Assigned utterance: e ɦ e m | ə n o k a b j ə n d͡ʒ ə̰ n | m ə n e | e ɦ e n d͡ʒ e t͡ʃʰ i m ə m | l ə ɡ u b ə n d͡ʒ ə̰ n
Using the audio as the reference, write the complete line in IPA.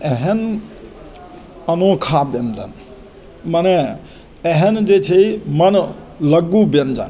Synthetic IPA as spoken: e ɦ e n | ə n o kʰ a b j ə n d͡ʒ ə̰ n | m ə n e | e ɦ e n d͡ʒ e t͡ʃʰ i m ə n | l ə ɡ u b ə n d͡ʒ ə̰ n